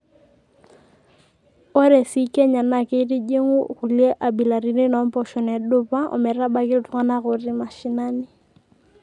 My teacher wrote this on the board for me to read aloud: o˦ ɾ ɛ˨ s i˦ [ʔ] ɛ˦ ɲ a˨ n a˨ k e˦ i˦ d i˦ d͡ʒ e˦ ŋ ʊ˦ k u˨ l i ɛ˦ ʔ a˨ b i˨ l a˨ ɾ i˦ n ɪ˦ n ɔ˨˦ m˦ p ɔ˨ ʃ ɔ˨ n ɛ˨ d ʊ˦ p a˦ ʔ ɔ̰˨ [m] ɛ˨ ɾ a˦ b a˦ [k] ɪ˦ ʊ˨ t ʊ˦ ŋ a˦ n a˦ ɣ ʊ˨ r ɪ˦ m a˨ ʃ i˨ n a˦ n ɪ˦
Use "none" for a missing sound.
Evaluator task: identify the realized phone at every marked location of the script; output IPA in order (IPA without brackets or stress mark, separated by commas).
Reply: k, m, k